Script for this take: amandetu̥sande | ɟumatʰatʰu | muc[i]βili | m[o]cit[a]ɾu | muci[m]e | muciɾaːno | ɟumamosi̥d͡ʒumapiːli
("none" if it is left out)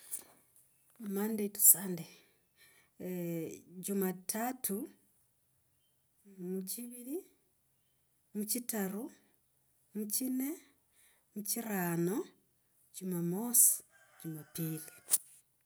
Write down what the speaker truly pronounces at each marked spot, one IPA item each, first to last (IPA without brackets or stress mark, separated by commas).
i, u, a, n